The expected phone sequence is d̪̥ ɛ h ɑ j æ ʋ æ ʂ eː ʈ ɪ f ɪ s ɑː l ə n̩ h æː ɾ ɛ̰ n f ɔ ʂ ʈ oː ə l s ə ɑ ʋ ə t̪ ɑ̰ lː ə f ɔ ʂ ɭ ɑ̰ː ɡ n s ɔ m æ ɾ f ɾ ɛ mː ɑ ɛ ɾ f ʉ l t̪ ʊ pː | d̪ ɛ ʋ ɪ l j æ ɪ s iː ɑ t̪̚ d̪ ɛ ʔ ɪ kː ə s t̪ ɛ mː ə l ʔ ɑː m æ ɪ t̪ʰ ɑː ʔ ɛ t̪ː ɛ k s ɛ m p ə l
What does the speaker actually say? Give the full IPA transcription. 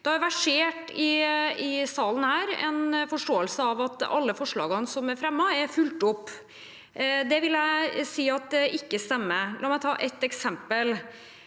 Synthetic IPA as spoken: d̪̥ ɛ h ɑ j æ ʋ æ ʂ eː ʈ ɪ ɪ s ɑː l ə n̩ h æː ɾ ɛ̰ n f ɔ ʂ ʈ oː ə l s ə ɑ ʋ ɑ t̪ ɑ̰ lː ə f ɔ ʂ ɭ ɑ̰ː ɡ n s ɔ m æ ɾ f ɾ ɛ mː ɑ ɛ ɾ f ʉ l t̪ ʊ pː | d̪ ɛ ʋ ɪ l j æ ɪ s iː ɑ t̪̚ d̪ ɛ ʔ ɪ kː ə s t̪ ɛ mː ə l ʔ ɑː m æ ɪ t̪ʰ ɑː ʔ ɛ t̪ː ɛ k s ɛ m p ə l